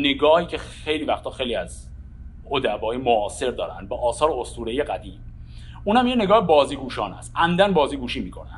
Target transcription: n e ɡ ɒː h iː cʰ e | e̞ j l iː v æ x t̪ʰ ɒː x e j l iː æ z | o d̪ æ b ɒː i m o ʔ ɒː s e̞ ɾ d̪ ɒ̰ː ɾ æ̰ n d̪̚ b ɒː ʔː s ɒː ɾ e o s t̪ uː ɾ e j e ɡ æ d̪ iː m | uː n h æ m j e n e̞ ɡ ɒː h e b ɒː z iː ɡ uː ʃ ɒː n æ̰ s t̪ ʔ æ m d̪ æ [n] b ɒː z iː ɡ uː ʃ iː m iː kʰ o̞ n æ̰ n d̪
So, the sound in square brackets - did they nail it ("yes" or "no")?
yes